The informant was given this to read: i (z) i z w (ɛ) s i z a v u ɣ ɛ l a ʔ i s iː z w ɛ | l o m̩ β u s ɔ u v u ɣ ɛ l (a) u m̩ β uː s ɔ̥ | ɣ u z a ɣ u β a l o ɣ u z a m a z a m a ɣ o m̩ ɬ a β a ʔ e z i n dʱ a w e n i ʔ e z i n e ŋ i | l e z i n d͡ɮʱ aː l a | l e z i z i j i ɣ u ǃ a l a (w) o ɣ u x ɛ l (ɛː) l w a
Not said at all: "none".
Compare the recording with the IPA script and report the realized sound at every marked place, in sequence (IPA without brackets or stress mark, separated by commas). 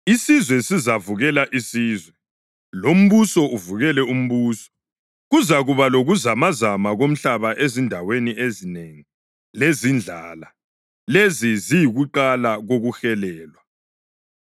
s, ɛ, ɛ, ɣ, ɛː